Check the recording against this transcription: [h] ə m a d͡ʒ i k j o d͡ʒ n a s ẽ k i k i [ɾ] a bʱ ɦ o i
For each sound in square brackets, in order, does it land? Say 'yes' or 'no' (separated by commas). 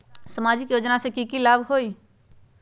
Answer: no, no